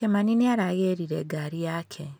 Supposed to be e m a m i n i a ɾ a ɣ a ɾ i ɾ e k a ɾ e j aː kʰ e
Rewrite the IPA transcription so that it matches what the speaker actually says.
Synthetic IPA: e m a n i n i a ɾ a ɣ e ɾ i ɾ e ɡ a ɾ i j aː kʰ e

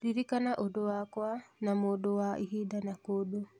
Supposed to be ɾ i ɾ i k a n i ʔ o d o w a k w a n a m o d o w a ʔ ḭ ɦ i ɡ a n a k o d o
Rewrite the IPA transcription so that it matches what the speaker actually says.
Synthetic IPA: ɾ i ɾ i k a n a ʔ o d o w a k w a n a m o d o w a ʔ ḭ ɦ i d a n a k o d o

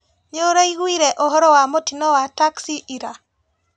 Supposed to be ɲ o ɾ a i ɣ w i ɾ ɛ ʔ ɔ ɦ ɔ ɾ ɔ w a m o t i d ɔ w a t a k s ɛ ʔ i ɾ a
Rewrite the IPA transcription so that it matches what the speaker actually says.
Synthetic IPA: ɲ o ɾ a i ɣ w i ɾ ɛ ʔ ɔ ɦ ɔ ɾ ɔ w a m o t i n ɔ w a t a k s i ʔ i ɾ a

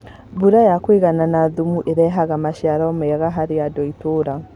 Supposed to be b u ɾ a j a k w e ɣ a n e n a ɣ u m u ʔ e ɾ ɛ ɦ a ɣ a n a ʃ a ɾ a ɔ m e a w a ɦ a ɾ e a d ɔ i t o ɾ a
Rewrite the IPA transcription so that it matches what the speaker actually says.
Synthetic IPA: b u ɾ a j a k w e ɣ a n a n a ð u m u ʔ e ɾ ɛ ɦ a ɣ a m a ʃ a ɾ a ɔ m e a ɣ a ɦ a ɾ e a d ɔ i t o ɾ a

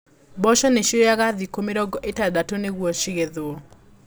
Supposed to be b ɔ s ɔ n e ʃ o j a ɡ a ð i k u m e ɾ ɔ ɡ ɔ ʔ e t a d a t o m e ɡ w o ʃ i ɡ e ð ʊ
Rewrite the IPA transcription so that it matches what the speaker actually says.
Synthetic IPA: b ɔ ʃ ɔ n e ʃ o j a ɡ a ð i k o m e ɾ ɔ ɡ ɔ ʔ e t a d a t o n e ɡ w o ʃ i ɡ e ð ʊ

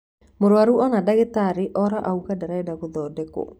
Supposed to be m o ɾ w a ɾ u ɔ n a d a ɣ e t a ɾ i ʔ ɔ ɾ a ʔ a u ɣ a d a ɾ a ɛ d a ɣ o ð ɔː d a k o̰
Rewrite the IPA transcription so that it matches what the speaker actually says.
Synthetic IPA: m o ɾ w a ɾ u ɔ n a d a ɣ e t a ɾ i ʔ ɔ ɾ a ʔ a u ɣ a d a ɾ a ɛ d a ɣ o ð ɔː d ɛ k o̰

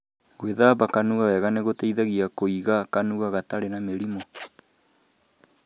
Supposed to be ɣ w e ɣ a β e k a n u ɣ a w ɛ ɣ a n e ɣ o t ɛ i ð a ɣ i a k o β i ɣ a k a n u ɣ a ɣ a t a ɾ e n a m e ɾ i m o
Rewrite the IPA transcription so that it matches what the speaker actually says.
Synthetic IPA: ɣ w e ð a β a k a n u ɣ a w ɛ ɣ a n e ɣ o t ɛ i ð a ɣ i a k o i ɣ a k a n u ɣ a ɣ a t a ɾ e n a m e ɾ i m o

